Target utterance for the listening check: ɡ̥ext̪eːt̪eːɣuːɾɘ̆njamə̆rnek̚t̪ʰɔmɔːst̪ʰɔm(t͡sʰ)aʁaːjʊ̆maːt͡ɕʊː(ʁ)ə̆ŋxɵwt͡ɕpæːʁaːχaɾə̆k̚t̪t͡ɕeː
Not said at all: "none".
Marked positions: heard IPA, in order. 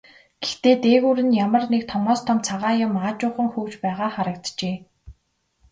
t͡sʰ, χ

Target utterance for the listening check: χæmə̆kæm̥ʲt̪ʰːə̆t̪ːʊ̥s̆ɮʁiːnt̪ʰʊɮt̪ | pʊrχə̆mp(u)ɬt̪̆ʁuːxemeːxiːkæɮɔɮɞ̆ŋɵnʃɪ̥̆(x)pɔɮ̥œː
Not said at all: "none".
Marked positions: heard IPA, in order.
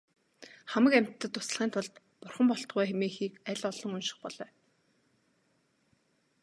ɔ, χ

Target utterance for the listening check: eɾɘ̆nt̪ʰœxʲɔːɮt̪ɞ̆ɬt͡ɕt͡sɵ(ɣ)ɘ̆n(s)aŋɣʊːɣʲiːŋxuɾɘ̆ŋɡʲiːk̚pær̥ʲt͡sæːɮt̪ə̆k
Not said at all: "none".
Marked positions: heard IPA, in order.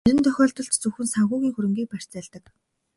x, s

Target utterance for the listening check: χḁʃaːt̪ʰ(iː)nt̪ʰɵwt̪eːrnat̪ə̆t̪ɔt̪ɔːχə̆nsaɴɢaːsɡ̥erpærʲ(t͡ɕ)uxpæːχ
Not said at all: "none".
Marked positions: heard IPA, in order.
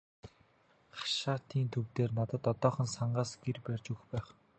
iː, t͡ɕ

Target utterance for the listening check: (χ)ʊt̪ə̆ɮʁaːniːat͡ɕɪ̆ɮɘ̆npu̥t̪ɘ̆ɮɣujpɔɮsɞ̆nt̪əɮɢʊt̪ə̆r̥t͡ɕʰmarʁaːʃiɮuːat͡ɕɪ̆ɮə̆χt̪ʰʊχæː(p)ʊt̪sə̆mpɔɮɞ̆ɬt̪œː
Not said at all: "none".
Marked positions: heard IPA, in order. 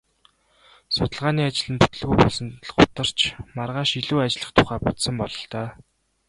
s, p

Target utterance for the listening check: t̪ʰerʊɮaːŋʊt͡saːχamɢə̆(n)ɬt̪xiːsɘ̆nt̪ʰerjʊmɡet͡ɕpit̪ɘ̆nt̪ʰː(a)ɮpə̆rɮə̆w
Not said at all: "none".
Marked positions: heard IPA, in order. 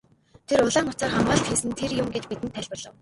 none, æ

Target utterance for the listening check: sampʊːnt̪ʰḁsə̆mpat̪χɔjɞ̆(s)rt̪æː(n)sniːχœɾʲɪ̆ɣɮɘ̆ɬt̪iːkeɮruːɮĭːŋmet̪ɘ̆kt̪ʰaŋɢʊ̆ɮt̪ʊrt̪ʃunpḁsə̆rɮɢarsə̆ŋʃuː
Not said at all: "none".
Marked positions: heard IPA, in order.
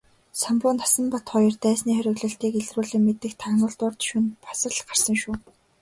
none, none

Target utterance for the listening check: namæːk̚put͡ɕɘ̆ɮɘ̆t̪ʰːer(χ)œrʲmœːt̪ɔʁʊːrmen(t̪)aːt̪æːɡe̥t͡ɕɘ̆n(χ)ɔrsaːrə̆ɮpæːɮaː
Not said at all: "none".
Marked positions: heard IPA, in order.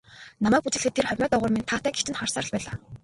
χ, t̪ʰ, χ

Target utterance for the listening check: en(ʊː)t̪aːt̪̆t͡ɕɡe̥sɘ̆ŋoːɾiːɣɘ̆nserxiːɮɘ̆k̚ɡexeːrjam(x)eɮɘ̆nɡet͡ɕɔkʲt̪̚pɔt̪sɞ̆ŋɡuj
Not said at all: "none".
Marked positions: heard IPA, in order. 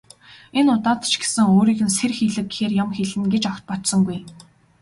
ʊ, x

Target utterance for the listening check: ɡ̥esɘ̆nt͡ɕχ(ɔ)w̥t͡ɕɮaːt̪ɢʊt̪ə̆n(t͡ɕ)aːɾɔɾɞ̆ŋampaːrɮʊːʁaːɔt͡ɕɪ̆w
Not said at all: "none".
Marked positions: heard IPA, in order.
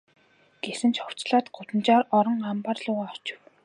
ɔ, t͡ɕ

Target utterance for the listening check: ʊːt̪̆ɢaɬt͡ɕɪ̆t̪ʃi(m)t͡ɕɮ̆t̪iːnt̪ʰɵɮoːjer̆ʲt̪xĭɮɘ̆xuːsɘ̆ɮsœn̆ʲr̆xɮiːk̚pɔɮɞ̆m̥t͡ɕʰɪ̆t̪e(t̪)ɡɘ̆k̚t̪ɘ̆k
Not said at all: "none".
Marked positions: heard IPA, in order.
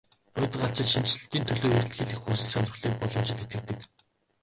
n, t̪

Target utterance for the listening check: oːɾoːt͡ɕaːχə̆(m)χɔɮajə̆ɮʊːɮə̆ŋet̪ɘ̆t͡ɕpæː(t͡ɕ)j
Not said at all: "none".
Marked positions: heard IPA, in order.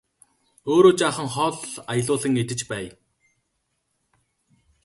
ŋ, none

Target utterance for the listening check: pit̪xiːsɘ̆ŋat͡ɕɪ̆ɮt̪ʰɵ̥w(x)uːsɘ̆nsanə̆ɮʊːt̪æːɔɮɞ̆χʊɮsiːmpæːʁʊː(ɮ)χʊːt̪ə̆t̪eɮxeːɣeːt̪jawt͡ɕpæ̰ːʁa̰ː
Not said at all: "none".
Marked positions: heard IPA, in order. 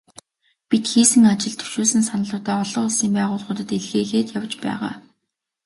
ʃ, ɮ

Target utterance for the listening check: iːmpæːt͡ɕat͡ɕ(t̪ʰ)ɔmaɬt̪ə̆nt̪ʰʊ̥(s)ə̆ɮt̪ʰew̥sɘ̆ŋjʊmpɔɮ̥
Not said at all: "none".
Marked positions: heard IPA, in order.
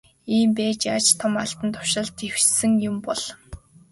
t̪ʰ, ʃ

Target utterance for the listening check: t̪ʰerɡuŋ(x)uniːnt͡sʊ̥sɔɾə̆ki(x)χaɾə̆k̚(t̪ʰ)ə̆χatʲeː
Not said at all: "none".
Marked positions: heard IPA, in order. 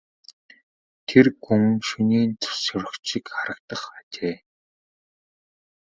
ʃ, k, t̪

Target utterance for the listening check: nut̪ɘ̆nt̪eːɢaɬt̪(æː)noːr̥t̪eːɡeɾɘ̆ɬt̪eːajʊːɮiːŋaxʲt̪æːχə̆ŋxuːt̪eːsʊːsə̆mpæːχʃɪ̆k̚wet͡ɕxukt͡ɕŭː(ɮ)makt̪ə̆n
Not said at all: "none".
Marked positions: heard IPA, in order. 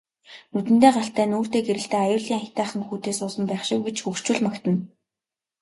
æː, ɮ

